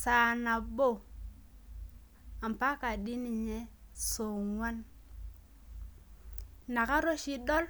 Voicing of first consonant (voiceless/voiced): voiceless